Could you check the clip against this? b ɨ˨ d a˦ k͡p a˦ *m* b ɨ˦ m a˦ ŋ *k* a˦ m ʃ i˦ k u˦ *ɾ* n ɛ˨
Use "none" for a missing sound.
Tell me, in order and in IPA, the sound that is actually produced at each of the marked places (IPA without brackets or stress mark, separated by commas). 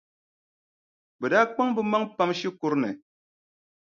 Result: ŋ, p, ɾ